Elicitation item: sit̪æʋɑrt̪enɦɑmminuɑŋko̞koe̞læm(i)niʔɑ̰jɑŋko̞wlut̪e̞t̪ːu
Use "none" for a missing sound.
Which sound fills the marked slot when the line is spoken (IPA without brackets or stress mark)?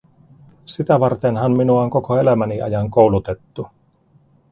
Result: æ